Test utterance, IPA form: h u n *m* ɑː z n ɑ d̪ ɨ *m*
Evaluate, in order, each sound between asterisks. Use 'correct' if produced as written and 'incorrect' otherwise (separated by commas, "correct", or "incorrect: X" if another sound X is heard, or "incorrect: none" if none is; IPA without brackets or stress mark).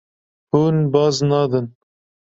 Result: incorrect: b, incorrect: n